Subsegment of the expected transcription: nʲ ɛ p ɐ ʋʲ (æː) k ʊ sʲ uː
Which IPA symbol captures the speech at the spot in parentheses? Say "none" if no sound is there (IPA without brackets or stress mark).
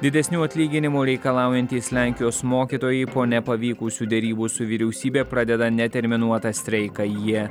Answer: iː